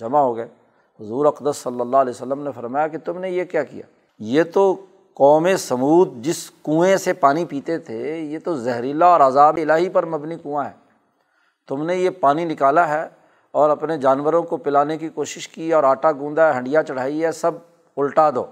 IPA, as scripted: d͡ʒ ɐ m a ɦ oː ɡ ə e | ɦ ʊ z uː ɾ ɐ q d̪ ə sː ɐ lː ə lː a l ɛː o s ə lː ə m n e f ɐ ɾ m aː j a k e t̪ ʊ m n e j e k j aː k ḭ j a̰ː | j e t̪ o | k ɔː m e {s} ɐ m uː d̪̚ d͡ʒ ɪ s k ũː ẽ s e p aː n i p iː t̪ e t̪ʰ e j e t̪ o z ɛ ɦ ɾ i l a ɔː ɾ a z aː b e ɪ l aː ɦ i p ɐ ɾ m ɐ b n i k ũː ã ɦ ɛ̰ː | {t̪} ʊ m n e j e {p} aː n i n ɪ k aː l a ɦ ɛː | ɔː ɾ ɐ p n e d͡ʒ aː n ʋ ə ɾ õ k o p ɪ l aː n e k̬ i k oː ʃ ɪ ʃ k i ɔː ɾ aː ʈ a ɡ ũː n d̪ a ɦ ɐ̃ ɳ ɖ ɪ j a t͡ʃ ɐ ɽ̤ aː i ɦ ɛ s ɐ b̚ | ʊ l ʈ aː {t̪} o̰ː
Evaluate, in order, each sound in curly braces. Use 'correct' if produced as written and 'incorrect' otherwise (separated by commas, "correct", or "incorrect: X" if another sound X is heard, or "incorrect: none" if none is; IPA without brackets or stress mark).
correct, correct, correct, incorrect: d̪